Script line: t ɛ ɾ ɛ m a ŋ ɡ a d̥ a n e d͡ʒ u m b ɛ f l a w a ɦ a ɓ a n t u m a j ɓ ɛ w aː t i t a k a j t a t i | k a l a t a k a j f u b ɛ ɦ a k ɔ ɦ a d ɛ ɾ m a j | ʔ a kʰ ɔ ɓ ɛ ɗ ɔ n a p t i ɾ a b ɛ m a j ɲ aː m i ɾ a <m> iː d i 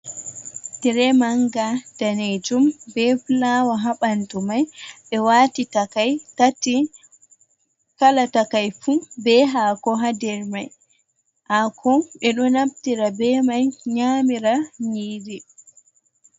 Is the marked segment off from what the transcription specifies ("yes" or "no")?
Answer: yes